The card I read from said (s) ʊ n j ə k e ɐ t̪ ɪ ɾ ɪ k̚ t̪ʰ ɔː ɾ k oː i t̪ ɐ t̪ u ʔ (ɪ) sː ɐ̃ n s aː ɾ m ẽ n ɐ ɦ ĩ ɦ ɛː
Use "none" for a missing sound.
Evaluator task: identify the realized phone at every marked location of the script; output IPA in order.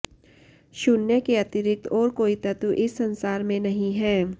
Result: ʃ, ɪ

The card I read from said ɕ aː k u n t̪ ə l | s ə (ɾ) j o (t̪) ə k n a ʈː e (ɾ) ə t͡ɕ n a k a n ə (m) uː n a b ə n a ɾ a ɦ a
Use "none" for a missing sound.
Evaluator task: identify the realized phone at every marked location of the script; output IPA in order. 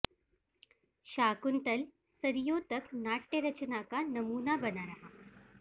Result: ɾ, t̪, ɾ, m

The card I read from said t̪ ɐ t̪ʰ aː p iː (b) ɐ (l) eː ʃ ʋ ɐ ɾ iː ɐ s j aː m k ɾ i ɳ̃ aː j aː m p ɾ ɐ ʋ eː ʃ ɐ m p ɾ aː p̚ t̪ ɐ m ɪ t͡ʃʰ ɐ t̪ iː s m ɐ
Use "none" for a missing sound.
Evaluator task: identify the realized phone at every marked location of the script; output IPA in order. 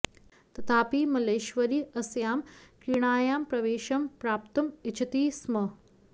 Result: m, l

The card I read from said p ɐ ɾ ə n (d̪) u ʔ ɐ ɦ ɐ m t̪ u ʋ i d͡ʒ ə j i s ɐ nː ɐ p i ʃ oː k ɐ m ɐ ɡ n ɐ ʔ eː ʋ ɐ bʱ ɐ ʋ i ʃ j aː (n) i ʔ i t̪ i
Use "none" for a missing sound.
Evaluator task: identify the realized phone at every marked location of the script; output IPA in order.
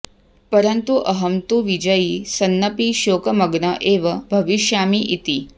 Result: t̪, m

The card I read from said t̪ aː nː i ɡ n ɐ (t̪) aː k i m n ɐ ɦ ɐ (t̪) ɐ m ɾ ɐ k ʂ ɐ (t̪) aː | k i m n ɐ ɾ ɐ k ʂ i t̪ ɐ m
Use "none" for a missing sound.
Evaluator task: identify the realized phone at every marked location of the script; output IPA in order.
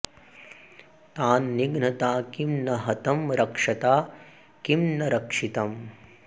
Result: t̪, t̪, t̪

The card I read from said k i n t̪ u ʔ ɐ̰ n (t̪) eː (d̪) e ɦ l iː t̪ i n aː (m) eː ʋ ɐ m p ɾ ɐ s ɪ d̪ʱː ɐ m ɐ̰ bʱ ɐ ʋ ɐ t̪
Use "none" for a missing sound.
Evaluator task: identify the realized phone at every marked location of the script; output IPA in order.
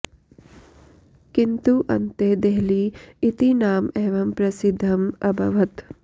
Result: t̪, d̪, m

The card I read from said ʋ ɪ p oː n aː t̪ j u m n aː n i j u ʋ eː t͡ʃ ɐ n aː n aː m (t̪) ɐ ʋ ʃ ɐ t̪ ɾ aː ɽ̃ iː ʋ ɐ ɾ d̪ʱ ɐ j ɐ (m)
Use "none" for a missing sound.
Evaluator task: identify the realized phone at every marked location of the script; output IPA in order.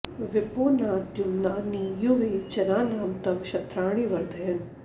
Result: t̪, n

